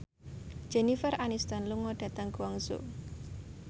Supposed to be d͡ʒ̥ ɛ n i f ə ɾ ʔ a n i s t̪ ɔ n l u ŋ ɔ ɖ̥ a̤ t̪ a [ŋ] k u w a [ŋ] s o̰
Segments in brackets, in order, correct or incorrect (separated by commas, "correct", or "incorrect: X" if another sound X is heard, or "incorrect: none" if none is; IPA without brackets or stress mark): correct, correct